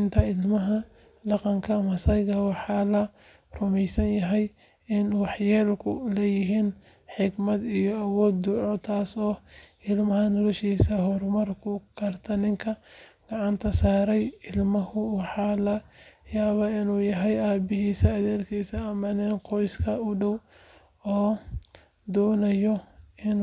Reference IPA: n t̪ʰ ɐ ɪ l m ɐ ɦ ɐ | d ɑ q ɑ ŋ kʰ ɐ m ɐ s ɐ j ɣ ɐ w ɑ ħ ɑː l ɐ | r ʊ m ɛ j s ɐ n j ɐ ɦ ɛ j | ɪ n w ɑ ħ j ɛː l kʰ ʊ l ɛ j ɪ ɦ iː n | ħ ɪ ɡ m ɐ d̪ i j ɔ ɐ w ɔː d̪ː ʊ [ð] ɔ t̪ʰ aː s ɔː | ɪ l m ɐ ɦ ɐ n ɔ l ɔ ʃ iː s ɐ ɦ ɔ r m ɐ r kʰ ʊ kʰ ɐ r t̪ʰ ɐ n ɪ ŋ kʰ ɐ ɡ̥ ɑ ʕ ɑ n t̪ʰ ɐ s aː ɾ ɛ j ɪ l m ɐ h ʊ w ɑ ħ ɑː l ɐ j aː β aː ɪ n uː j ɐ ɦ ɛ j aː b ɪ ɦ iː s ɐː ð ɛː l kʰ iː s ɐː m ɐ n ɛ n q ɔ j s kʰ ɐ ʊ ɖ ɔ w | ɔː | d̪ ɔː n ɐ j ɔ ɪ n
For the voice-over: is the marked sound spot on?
no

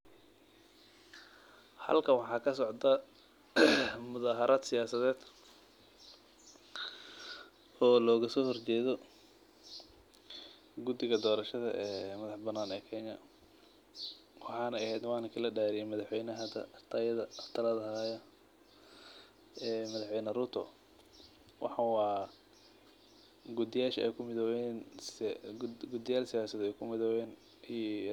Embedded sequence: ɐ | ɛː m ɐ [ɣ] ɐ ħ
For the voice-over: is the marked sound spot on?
no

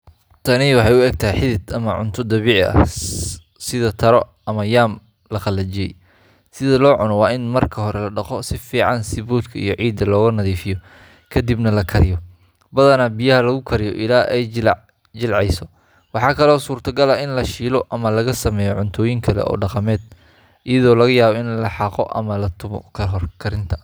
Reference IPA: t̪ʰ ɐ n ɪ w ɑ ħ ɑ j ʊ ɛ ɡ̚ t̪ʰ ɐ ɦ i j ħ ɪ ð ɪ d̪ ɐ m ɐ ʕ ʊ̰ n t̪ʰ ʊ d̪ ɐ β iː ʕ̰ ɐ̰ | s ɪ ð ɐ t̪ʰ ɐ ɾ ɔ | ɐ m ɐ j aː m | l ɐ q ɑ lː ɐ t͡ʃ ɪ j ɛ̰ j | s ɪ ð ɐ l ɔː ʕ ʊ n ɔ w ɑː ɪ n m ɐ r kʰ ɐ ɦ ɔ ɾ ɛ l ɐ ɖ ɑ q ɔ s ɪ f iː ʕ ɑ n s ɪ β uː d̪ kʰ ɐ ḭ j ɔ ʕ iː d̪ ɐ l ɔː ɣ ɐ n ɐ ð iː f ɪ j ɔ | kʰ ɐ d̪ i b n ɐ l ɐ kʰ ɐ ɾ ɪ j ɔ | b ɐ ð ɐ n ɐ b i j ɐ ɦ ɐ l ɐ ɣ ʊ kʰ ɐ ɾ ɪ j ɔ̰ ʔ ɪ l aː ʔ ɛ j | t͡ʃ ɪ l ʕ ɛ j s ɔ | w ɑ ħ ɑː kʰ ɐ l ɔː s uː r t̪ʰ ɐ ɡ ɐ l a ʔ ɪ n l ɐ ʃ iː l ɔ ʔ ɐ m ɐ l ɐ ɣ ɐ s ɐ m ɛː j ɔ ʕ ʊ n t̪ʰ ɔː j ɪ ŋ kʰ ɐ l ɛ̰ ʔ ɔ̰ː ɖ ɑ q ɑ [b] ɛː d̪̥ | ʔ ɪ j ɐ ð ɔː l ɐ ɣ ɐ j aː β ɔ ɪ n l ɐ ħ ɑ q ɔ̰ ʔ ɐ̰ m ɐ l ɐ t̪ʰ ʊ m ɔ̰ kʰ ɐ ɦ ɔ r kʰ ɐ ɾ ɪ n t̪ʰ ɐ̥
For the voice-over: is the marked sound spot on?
no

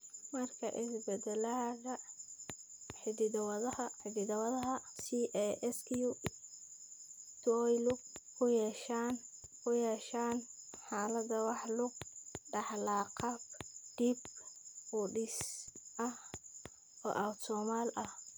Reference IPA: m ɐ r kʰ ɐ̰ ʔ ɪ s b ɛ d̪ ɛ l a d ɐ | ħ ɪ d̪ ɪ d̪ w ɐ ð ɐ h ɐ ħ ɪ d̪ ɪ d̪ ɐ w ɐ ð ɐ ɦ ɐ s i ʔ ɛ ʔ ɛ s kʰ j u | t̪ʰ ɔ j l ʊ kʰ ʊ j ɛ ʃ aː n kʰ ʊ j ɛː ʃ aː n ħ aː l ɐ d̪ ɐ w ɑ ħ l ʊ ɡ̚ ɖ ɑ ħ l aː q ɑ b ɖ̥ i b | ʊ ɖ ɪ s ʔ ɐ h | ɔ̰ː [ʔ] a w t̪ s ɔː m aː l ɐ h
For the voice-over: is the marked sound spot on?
yes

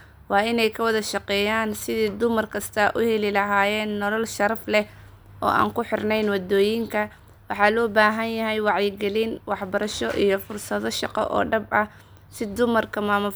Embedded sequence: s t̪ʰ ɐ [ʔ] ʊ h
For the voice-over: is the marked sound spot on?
yes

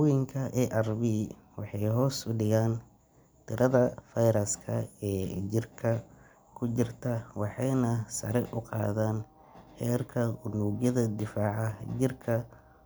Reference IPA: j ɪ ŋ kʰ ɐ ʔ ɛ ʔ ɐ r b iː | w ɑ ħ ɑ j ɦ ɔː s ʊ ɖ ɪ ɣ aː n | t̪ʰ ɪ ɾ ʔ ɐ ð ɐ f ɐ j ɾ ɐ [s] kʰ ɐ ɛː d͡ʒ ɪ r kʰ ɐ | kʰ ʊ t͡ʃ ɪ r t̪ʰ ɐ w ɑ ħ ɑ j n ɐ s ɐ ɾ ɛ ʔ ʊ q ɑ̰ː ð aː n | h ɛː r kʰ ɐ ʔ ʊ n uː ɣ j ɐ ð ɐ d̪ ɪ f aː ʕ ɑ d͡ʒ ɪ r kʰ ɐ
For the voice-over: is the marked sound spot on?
yes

